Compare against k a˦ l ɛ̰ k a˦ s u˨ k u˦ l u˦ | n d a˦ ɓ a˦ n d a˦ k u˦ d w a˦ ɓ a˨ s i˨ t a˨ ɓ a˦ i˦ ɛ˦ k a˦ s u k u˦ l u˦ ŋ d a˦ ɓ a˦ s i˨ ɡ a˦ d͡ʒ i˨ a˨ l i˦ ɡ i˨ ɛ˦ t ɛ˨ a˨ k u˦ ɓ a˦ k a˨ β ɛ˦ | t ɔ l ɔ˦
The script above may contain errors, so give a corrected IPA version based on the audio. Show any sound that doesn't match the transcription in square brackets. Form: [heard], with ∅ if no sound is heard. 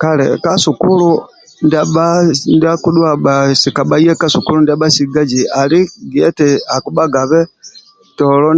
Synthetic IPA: k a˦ l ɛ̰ k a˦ s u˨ k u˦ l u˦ | n d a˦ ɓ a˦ n d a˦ k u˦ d w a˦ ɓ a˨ s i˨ [k] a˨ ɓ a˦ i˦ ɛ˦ k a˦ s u k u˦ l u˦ [n] d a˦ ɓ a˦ s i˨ ɡ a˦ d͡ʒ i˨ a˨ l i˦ ɡ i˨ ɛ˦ t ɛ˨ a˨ k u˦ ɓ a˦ [ɡ] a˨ β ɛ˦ | t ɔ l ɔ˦